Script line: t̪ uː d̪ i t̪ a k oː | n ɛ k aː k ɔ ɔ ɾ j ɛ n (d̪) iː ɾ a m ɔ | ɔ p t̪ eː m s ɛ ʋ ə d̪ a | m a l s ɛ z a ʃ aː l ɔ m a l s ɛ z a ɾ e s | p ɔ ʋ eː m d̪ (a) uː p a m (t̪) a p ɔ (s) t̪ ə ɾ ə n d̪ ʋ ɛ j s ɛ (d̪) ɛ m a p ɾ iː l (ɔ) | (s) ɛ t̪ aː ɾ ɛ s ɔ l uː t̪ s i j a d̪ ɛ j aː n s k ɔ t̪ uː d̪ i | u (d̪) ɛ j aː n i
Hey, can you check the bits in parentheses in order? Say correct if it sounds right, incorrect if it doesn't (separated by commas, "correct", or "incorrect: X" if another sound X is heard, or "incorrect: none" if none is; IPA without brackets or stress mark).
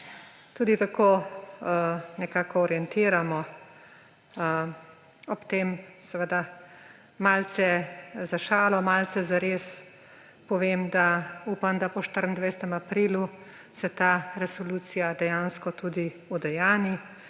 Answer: incorrect: t̪, correct, incorrect: d̪, incorrect: ʃ, incorrect: t̪, incorrect: u, correct, correct